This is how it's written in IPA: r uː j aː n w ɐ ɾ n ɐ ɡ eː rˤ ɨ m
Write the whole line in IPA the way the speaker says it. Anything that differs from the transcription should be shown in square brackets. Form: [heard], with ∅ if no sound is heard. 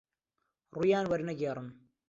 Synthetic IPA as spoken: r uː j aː n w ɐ ɾ n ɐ ɡ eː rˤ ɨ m